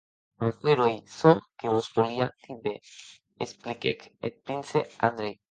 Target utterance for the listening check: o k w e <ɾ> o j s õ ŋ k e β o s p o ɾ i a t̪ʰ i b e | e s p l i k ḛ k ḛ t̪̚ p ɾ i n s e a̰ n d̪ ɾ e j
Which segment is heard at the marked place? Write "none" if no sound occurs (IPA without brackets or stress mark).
ɾ